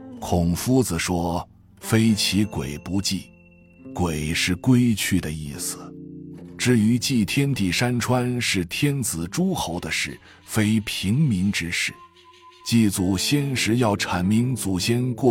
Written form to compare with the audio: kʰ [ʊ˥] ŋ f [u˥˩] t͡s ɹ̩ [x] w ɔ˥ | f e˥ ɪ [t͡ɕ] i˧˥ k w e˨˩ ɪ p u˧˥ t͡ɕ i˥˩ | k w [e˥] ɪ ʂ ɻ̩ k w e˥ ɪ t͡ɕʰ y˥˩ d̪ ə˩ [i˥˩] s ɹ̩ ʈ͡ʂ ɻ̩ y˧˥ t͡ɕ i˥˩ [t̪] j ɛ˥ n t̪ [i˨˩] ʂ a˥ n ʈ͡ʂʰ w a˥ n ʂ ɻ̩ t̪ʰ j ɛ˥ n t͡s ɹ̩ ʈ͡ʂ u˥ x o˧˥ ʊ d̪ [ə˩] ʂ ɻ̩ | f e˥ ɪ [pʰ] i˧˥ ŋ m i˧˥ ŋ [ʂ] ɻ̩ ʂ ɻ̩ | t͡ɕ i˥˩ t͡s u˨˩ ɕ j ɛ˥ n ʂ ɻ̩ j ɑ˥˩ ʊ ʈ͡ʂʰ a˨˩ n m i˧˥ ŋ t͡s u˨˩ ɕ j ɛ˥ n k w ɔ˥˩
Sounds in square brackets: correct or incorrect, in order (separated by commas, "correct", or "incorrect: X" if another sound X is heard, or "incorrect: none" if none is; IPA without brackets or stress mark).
incorrect: ʊ˨˩, incorrect: u˥, incorrect: ʂ, incorrect: t͡ɕʰ, incorrect: e˨˩, correct, incorrect: t̪ʰ, correct, incorrect: ə˧, correct, incorrect: ʈ͡ʂ